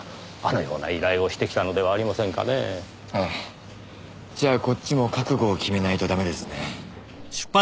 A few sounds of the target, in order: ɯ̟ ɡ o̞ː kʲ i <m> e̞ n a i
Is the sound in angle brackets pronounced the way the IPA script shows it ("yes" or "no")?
yes